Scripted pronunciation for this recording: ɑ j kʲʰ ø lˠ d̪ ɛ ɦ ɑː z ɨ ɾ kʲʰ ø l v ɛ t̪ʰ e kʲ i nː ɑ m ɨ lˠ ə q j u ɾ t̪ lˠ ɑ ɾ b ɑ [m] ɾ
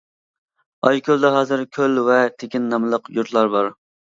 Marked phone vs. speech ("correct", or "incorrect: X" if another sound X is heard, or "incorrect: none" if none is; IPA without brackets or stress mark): incorrect: none